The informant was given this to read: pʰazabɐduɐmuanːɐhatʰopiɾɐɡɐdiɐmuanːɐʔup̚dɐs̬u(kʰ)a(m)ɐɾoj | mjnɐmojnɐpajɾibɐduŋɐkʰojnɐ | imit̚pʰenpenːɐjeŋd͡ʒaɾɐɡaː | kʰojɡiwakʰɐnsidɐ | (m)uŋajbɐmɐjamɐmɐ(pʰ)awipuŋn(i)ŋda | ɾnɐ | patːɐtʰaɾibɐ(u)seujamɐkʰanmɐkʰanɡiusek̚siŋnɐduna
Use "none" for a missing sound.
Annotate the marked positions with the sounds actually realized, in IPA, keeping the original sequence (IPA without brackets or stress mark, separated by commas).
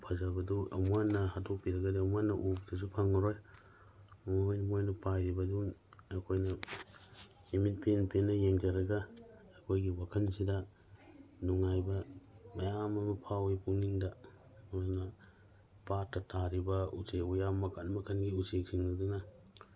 pʰ, ŋ, n, pʰ, i, u